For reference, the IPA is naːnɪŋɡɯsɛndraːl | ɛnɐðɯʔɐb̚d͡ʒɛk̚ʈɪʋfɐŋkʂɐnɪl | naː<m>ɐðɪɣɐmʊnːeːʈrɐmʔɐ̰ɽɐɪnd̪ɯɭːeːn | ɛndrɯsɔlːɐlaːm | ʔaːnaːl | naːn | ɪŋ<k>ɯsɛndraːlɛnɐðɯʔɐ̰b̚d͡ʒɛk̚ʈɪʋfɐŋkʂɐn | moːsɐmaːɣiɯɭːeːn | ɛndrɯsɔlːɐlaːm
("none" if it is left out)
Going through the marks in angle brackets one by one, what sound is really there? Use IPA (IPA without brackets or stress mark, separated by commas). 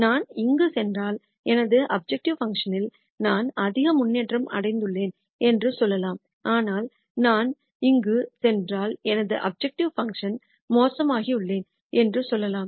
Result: n, ɡ